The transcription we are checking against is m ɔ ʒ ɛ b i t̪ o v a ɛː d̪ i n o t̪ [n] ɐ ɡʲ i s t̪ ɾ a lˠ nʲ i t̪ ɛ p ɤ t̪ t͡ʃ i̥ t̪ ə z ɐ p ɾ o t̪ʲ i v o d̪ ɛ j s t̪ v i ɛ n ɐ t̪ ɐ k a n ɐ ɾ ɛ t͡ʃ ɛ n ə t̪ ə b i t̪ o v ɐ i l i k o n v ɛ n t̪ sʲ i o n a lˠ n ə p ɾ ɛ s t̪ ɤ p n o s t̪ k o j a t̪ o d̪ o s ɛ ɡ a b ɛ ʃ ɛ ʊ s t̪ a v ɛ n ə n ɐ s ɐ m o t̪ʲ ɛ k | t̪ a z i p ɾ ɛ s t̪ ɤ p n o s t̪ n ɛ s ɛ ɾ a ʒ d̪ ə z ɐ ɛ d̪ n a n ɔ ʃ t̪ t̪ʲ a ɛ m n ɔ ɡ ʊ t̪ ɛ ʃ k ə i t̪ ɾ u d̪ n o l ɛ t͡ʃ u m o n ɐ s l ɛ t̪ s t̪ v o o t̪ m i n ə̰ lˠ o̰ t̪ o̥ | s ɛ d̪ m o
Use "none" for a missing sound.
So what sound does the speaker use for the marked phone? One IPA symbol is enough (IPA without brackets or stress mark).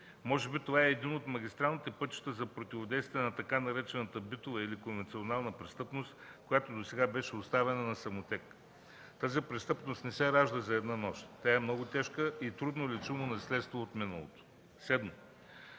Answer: m